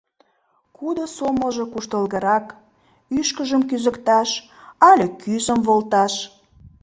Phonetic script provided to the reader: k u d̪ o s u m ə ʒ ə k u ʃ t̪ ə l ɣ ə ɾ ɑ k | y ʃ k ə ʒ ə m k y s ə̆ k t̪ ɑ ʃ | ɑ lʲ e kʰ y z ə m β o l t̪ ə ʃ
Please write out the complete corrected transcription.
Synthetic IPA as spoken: k u d̪ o s o m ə ʒ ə k u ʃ t̪ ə l ɣ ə ɾ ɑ k | y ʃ k ə ʒ ə m k y z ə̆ k t̪ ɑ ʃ | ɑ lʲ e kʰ y z ə m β o l t̪ ɑ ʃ